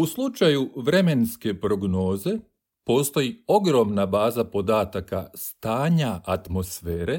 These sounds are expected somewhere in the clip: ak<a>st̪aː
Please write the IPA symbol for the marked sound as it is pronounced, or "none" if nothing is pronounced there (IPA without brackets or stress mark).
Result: a